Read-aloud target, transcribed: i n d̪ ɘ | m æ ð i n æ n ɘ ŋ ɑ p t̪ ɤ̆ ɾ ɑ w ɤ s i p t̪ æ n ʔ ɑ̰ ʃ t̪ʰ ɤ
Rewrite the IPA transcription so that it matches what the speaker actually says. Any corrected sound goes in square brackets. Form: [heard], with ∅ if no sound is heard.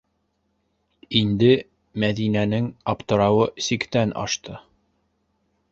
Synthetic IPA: i n d̪ ɘ | m æ ð i n æ n ɘ ŋ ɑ p t̪ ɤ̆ ɾ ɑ w ɤ s i [k] t̪ æ n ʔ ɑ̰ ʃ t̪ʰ ɤ